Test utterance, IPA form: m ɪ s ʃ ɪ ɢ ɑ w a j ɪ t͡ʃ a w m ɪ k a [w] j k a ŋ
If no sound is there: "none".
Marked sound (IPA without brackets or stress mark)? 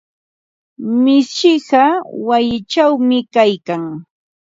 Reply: none